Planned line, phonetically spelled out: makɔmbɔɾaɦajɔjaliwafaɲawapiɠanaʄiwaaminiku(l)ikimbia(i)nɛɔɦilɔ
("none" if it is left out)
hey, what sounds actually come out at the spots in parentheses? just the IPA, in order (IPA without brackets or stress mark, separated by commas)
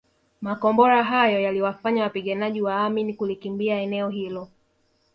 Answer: l, ɛ